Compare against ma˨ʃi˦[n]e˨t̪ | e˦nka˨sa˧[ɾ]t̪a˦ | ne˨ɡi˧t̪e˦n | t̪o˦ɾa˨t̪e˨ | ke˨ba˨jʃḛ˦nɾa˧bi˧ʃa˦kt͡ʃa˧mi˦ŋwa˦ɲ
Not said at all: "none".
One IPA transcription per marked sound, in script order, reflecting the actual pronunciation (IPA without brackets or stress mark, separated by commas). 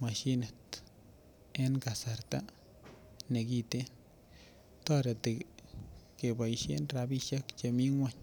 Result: n, ɾ